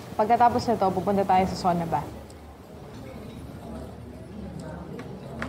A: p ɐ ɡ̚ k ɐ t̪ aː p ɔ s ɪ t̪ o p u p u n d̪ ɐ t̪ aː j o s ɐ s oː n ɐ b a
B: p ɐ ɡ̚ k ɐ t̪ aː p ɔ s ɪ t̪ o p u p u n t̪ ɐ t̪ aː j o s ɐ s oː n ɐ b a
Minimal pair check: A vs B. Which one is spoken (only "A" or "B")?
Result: B